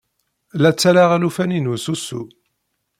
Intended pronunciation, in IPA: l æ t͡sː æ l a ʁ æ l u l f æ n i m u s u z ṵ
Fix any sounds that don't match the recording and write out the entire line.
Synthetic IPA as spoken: l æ t͡sː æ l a ʁ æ l u f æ n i n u s u s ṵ